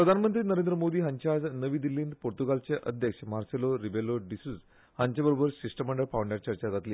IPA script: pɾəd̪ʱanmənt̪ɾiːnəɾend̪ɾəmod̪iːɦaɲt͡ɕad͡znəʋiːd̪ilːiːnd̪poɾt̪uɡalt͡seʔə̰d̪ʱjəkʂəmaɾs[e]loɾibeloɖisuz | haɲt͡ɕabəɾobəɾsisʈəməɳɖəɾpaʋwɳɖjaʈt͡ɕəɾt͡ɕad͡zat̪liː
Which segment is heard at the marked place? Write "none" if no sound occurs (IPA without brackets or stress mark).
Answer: e